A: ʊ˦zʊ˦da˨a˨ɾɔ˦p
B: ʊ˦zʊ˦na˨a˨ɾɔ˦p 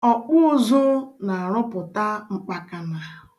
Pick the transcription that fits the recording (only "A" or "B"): B